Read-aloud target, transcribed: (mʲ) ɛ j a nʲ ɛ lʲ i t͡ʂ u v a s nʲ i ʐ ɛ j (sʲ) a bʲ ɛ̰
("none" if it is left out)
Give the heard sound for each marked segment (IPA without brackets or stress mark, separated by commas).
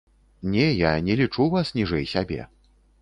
nʲ, sʲ